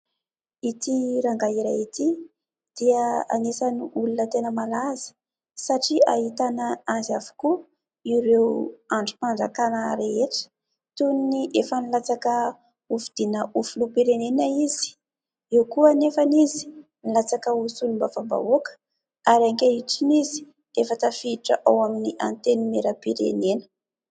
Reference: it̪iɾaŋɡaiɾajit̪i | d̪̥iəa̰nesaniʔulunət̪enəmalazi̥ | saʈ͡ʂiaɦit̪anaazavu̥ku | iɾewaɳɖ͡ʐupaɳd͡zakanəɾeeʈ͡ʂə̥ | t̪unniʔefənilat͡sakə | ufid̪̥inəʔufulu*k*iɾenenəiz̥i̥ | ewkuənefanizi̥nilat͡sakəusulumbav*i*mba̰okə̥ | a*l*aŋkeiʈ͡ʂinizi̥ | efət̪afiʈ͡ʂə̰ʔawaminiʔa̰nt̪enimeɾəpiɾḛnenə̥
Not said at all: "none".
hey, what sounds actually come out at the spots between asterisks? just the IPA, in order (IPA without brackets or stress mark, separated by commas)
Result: p, a, ɾ